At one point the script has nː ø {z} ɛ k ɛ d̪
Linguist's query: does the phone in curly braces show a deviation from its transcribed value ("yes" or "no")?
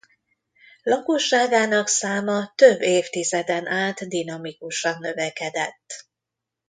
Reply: yes